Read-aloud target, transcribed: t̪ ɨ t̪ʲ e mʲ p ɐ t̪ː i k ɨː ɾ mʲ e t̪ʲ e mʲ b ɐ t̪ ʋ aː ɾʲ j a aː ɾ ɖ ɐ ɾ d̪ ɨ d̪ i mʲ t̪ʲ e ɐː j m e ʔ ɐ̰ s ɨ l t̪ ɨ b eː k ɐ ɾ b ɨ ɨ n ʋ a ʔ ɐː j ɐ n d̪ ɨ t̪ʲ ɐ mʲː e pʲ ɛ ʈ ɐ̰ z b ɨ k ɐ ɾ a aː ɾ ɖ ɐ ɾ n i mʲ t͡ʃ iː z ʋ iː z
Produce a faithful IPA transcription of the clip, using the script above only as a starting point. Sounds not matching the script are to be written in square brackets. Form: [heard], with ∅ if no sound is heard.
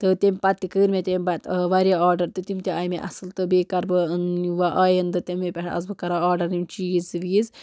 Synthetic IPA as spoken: t̪ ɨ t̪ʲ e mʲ p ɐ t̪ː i k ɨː ɾ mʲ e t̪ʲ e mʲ b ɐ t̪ ʋ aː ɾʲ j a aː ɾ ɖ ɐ ɾ [t̪] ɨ [t̪] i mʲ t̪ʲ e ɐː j m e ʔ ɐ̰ s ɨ l t̪ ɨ b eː k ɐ ɾ b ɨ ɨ n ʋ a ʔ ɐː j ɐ n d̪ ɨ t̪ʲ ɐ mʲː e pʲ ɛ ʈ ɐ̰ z b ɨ k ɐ ɾ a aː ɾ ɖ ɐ ɾ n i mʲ t͡ʃ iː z ʋ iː z